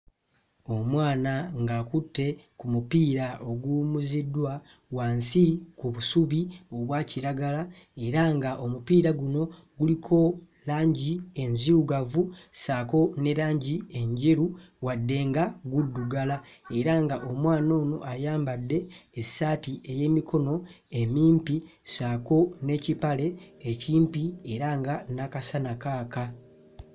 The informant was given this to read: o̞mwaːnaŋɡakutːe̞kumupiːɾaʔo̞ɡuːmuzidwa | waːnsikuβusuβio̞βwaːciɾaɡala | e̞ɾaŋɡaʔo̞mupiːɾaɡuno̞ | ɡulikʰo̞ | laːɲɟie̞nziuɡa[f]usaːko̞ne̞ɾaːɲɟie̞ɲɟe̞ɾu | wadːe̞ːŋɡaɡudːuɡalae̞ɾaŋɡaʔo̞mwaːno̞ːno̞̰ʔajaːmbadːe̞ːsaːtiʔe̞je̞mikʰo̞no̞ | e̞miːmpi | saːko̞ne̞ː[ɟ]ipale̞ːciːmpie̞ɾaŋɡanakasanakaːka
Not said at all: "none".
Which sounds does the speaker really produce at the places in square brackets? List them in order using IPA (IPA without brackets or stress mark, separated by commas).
v, c